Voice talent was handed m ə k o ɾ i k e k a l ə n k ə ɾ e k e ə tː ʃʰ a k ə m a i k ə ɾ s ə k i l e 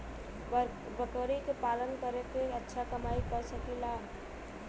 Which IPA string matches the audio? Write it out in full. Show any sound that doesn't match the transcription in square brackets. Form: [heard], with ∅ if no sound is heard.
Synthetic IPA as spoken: [b] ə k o ɾ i k e [p] a l ə n k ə ɾ e k e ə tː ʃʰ a k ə m a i k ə ɾ s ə k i l [a]